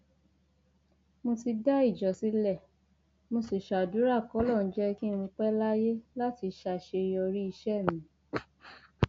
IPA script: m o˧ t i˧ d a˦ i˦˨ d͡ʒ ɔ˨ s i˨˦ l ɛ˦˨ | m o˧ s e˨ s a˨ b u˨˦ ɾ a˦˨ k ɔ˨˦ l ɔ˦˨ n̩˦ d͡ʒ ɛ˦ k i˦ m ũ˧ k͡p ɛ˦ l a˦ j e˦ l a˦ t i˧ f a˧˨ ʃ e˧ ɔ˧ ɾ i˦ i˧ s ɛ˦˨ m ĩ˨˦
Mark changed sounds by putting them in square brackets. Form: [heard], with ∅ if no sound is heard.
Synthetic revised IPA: m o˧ t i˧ d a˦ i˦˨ d͡ʒ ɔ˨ s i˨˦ l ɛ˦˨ | m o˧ s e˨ [ʃ] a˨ [d] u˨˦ ɾ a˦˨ k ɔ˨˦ l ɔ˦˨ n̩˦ d͡ʒ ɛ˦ k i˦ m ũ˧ k͡p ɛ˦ l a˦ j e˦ l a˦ t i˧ [ʃ] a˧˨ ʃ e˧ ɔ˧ ɾ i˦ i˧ [ʃ] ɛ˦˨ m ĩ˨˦